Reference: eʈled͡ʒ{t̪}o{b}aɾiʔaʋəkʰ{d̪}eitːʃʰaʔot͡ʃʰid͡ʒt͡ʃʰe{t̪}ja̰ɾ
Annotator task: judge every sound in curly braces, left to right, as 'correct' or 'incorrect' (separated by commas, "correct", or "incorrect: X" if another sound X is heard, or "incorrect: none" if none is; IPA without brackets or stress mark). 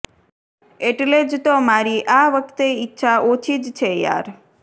correct, incorrect: m, incorrect: t̪, incorrect: none